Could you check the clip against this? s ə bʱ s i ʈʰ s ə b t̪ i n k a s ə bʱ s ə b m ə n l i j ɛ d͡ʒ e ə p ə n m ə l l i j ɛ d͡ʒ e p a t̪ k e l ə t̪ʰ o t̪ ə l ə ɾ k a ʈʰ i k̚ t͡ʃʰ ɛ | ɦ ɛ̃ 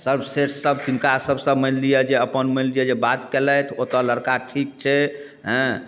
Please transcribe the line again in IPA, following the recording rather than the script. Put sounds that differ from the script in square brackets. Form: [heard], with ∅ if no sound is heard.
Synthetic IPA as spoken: s ə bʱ s [e] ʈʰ s ə b t̪ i n k a s ə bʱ s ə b m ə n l i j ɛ d͡ʒ e ə p ə n m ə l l i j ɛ d͡ʒ e [b] a t̪ k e l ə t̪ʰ o t̪ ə l ə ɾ k a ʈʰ i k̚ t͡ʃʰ ɛ | ɦ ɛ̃